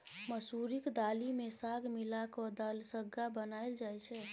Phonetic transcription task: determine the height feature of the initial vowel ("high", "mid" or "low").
mid